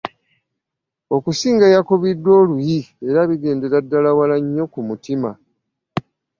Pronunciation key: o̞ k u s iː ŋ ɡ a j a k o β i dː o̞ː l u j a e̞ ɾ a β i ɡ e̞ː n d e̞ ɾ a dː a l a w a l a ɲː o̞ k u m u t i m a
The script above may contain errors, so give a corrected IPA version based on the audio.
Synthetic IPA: o̞ k u s iː ŋ ɡ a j a k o β i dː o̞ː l u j i e̞ ɾ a β i ɡ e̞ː n d e̞ ɾ a dː a l a w a l a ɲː o̞ k u m u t i m a